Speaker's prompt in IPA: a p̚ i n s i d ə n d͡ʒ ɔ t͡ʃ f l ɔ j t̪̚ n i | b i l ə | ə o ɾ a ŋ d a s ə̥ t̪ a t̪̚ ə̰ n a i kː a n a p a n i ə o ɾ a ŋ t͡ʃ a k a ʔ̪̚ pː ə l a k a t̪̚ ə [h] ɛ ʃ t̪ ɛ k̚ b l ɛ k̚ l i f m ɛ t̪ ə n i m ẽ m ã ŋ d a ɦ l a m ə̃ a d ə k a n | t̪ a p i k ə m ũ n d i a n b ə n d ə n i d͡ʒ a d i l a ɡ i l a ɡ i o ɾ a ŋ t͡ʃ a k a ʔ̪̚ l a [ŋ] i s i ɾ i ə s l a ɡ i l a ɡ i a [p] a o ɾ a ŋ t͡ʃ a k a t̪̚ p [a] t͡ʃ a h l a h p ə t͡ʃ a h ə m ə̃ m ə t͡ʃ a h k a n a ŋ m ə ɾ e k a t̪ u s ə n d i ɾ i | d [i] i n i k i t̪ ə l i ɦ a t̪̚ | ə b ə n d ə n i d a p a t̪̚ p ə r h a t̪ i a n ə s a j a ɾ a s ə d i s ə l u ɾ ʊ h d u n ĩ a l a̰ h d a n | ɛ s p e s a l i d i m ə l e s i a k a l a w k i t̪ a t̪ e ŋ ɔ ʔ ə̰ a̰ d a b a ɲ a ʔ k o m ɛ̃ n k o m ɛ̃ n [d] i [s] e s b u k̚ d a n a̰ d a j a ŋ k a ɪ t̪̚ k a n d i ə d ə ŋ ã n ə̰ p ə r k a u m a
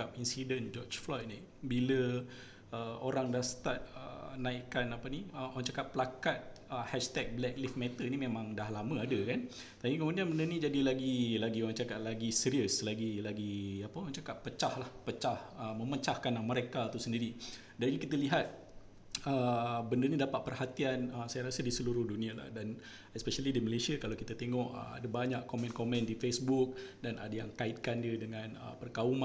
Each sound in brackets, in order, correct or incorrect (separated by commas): correct, incorrect, correct, incorrect, incorrect, correct, incorrect